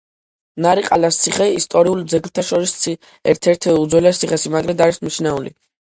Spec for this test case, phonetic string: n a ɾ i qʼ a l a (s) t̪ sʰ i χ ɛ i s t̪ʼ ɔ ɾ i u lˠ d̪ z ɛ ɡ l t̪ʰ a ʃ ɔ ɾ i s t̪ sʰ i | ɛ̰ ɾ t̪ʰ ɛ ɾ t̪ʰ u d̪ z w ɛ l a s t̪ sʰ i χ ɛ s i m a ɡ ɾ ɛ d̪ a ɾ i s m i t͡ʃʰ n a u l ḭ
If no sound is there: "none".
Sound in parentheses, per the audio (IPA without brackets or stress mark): s